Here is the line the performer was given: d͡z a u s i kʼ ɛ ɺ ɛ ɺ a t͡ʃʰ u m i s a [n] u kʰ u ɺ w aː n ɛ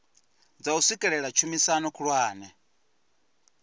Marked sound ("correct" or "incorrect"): correct